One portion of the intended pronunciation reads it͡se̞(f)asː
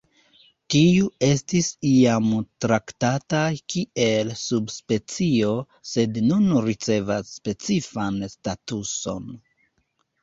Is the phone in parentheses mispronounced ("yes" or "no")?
yes